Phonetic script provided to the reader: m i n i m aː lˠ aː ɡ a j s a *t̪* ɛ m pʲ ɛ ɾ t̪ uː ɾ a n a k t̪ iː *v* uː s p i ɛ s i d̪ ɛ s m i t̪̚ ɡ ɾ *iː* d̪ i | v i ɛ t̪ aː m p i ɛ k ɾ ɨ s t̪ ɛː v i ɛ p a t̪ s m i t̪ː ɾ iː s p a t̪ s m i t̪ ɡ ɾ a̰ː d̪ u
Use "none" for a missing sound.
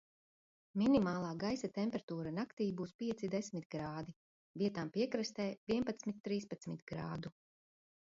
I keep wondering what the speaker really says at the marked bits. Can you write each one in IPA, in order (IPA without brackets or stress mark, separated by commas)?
t̪, b, aː